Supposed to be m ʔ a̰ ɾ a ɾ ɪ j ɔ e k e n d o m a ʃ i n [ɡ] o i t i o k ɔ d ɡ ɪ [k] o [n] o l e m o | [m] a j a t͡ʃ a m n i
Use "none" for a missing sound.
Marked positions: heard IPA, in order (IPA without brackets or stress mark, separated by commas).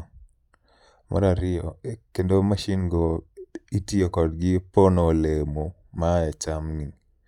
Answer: ɡ, p, n, m